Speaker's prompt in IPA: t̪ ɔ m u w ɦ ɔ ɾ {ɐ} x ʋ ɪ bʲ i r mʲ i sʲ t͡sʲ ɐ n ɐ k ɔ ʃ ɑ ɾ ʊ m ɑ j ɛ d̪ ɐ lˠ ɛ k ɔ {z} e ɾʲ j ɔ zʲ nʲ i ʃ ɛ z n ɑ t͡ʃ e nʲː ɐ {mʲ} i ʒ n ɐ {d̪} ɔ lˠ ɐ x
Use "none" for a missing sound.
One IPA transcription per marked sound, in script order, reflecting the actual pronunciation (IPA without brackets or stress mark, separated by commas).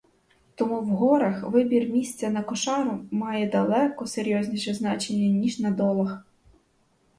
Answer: ɐ, s, nʲ, d̪